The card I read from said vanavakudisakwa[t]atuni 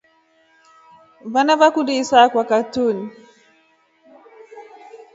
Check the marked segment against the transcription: incorrect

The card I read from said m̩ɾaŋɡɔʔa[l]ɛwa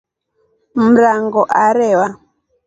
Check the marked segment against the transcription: incorrect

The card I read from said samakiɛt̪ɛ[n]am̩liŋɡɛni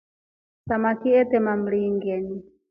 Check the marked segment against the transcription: incorrect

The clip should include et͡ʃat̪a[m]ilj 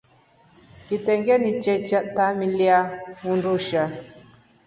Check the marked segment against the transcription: correct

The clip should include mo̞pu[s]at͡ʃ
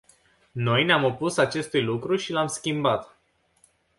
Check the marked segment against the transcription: correct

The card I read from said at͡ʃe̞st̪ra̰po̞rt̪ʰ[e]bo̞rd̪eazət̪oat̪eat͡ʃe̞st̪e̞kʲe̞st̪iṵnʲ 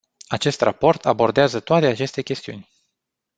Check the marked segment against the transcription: incorrect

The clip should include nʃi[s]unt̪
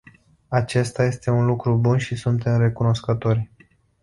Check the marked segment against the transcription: correct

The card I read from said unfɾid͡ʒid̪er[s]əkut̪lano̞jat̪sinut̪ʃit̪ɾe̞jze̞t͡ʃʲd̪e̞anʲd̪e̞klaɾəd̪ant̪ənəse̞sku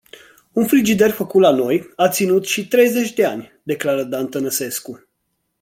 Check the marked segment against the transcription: incorrect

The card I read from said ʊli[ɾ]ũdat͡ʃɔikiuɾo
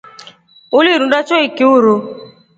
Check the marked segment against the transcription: correct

